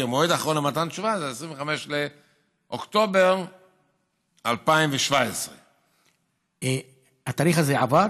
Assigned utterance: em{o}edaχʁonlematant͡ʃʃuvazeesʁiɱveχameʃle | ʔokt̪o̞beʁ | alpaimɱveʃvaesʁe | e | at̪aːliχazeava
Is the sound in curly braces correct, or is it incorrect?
correct